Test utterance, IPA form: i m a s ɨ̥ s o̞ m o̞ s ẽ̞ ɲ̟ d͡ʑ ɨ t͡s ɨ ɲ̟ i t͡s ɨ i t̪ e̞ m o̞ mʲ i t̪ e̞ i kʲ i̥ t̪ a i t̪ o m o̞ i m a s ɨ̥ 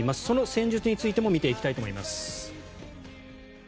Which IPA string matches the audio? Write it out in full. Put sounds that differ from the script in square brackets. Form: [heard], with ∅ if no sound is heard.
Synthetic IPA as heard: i m a s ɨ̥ s o̞ [n] o̞ s ẽ̞ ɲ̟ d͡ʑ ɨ t͡s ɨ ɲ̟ i t͡s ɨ i t̪ e̞ m o̞ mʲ i t̪ e̞ i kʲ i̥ t̪ a i t̪ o m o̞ i m a s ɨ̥